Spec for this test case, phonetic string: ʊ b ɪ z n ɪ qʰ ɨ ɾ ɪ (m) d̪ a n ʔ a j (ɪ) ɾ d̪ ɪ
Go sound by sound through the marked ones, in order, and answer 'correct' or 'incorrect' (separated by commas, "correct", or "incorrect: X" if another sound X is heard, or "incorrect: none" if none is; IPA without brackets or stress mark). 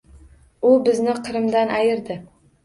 correct, correct